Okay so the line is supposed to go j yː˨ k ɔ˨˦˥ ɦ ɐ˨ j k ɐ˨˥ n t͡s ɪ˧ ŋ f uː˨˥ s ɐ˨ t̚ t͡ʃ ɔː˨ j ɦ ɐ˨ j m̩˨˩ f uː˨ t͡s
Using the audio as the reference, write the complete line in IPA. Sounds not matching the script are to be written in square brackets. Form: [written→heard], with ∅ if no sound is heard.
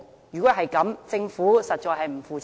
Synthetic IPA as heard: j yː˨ k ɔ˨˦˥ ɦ ɐ˨ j k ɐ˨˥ [n→m] t͡s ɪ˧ ŋ f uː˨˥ s ɐ˨ t̚ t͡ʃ ɔː˨ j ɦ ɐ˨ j m̩˨˩ f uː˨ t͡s